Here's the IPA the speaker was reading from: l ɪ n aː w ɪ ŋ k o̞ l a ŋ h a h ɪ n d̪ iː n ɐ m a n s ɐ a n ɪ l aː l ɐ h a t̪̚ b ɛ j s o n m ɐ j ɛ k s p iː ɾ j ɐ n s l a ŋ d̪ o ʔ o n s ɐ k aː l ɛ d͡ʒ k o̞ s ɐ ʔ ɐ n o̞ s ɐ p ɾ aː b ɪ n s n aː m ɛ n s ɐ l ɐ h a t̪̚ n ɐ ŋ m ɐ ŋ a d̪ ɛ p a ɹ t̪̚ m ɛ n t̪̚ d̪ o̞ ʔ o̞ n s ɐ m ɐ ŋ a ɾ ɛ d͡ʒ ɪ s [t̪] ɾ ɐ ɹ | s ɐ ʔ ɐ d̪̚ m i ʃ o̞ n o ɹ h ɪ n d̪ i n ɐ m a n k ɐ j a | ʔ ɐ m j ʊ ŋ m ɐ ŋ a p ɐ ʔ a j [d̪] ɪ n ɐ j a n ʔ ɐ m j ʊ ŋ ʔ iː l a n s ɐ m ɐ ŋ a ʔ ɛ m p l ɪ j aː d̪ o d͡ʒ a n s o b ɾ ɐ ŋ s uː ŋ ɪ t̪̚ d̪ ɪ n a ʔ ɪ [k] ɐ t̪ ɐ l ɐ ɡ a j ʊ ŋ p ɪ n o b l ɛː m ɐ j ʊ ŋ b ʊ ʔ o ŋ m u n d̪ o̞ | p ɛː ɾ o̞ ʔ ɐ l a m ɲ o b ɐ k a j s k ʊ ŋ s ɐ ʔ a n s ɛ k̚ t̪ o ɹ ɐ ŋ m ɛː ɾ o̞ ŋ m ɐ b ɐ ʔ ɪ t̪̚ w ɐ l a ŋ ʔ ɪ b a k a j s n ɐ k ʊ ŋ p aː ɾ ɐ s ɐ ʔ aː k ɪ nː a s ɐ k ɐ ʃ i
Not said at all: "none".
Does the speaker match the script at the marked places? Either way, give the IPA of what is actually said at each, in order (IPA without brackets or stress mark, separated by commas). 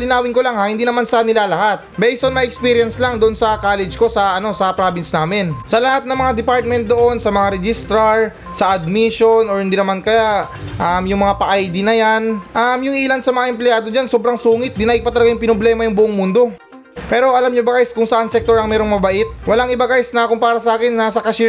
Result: t̪, d̪, p